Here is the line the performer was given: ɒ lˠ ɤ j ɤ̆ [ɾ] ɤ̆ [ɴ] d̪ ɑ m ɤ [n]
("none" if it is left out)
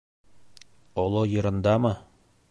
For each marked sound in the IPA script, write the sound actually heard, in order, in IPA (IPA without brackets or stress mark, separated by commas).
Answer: ɾ, n, none